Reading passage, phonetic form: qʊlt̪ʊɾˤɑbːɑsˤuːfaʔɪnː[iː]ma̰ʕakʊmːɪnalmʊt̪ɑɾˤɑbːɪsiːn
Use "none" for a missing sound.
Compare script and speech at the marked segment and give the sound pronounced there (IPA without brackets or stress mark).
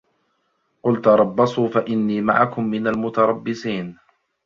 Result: iː